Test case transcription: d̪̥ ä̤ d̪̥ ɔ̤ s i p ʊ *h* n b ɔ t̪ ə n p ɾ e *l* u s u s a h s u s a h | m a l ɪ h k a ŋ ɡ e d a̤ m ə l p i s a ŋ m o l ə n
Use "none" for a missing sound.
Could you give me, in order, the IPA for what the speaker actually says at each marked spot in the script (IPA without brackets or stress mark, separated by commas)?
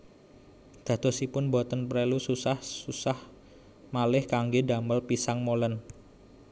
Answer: none, l